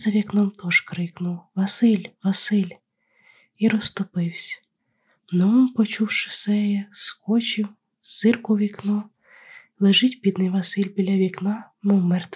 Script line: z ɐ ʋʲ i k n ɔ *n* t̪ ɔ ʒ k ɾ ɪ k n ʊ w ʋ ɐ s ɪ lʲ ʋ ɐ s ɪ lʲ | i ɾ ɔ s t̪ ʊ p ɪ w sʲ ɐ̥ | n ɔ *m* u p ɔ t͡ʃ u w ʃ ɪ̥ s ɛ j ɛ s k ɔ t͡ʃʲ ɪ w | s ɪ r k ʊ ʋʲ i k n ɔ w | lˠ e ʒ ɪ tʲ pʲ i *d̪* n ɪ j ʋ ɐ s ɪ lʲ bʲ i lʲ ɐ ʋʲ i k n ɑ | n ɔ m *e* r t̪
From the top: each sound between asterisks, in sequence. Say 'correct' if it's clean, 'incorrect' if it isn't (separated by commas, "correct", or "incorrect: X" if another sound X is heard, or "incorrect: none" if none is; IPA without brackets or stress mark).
incorrect: m, correct, correct, incorrect: ɛ